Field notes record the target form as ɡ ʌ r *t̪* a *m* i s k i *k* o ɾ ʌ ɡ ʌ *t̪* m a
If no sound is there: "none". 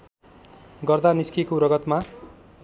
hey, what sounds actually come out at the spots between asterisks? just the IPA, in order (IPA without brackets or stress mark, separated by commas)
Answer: d̪, n, k, t̪